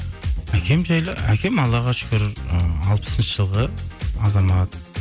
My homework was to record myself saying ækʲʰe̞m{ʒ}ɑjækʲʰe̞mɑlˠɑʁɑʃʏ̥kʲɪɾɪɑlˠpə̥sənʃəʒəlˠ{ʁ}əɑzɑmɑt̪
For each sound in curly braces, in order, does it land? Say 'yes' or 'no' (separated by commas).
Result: yes, yes